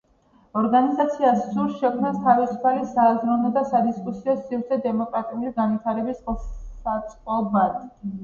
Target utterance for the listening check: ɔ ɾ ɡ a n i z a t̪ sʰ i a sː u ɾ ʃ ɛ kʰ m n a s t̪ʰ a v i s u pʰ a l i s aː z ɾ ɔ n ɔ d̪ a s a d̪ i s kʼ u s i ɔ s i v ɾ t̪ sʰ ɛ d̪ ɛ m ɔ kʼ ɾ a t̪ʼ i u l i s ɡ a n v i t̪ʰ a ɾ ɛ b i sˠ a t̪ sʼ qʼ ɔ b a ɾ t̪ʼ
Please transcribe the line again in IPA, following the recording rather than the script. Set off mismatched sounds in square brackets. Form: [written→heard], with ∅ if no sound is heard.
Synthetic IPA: ɔ ɾ ɡ a n i z a t̪ sʰ i a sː u ɾ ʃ ɛ kʰ m n a s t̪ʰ a v i s u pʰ a l i s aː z ɾ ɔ n ɔ d̪ a s a d̪ i s kʼ u s i ɔ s i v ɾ t̪ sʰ ɛ d̪ ɛ m ɔ kʼ ɾ a t̪ʼ i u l i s ɡ a n v i t̪ʰ a ɾ ɛ b i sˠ a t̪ sʼ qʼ ɔ b a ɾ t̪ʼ